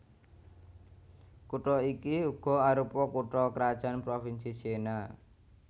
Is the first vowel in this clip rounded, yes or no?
yes